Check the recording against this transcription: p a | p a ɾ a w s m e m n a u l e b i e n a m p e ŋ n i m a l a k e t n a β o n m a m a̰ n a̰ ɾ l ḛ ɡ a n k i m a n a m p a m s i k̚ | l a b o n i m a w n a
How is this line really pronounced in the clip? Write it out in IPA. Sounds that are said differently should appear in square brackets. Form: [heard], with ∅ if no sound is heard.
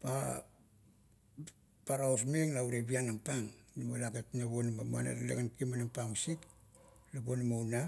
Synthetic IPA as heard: p a | p a ɾ a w s m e [ŋ] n a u [ɾ] e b i [a] n a m p [a] ŋ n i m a l a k e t n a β o n m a m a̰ n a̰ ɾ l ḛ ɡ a n k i m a n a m p a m s i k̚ | l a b o n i m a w n a